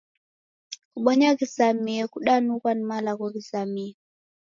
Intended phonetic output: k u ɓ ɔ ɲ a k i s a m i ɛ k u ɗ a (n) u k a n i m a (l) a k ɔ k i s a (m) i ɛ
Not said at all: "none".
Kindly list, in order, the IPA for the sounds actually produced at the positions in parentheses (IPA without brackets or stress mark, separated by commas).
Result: n, l, m